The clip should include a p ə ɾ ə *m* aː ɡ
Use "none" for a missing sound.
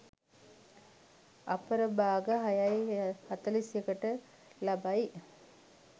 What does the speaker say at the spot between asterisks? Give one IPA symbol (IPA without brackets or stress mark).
b